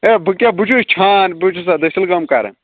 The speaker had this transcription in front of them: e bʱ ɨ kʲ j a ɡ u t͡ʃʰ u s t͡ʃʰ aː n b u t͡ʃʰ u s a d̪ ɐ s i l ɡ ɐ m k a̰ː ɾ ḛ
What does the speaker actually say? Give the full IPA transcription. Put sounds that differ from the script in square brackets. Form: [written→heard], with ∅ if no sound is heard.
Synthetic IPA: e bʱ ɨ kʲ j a [ɡ→b] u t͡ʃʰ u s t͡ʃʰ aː n b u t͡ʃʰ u s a d̪ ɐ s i l ɡ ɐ m k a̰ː ɾ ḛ